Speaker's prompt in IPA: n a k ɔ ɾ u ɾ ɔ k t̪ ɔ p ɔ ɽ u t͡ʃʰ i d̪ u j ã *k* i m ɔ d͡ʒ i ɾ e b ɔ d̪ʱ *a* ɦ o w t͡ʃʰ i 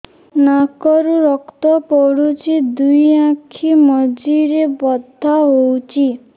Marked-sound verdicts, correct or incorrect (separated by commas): incorrect, correct